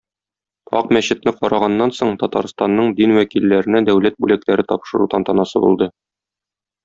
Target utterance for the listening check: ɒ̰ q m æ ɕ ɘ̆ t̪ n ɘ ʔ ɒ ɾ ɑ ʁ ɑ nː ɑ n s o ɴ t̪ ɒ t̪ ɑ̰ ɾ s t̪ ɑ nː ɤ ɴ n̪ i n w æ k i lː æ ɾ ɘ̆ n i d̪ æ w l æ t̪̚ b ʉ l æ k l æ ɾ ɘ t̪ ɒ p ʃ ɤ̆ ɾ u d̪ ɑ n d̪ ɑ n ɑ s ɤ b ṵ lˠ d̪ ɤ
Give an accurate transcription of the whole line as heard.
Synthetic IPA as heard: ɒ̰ q m æ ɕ ɘ̆ t̪ n ɘ q ɒ ɾ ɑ ʁ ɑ nː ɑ n s o ɴ t̪ ɒ t̪ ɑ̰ ɾ s t̪ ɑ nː ɤ ɴ d̪ i n w æ k i lː æ ɾ ɘ̆ n æ d̪ æ w l æ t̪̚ b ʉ l æ k l æ ɾ ɘ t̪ ɒ p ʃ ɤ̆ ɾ u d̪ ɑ n t̪ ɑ n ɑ s ɤ b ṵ lˠ d̪ ɤ